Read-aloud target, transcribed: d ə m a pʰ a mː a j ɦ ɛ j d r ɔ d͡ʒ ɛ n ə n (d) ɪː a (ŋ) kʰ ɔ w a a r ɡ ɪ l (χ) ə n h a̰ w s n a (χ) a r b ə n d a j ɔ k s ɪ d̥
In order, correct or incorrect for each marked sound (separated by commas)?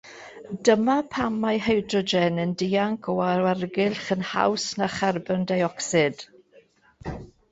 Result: correct, correct, correct, correct